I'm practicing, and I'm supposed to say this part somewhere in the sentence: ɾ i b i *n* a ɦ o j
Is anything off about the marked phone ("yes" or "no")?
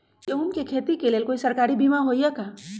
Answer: yes